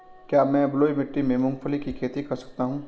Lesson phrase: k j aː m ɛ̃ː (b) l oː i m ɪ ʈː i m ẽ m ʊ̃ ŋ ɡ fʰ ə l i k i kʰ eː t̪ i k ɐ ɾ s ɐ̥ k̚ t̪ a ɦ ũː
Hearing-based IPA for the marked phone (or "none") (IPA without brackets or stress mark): b